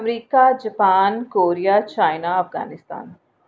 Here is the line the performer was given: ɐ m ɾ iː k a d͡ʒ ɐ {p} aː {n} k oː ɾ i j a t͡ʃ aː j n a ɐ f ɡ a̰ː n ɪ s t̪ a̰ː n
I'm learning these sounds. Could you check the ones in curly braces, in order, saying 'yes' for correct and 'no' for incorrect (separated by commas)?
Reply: yes, yes